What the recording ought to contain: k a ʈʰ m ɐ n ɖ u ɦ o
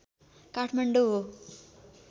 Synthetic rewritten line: k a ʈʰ m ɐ ɳ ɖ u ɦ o